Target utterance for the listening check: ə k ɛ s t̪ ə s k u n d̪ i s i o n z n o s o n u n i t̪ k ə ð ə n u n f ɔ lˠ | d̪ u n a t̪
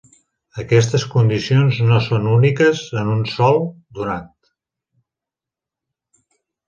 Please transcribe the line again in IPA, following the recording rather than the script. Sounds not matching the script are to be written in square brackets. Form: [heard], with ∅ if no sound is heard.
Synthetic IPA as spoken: ə k ɛ s t̪ ə s k u n d̪ i s i o n z n o s o n u n i [∅] k ə [z] ə n u n [s] ɔ lˠ | d̪ u n a t̪